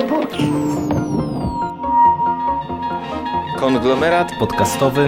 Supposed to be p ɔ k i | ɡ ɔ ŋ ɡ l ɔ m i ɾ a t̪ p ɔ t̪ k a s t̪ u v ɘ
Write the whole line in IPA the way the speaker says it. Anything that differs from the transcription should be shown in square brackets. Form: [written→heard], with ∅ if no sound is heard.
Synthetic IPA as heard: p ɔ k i | [ɡ→k] ɔ ŋ ɡ l ɔ m [i→ɛ] ɾ a t̪ p ɔ t̪ k a s t̪ [u→ɔ] v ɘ